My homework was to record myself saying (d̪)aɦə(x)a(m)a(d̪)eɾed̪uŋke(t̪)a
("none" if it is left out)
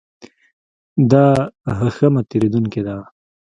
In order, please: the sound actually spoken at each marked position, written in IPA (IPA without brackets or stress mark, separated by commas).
d̪, x, m, t̪, d̪